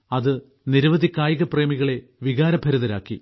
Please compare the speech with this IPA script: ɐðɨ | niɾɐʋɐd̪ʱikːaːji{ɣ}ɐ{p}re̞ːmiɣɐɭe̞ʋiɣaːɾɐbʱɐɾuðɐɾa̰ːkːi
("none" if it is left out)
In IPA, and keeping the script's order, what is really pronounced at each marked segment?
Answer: ɣ, p

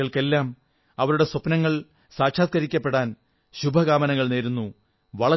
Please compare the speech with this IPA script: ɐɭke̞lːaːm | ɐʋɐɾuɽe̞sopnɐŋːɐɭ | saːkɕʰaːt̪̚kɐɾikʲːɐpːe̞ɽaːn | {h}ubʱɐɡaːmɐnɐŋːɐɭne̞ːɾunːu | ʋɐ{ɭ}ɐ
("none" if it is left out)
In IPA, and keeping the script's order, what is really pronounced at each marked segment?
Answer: ɕ, ɭ

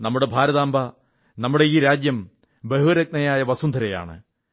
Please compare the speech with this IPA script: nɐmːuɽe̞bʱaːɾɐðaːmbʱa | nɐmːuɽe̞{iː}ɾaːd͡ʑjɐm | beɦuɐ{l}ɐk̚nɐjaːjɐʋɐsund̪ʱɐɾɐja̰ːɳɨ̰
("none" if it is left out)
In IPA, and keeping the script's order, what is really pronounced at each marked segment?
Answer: iː, ɾ

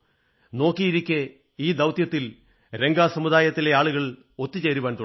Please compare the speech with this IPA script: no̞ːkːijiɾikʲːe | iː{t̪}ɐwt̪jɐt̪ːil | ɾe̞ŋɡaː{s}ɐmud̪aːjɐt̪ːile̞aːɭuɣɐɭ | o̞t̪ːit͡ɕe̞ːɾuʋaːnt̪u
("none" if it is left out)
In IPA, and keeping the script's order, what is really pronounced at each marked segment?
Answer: d̪, s

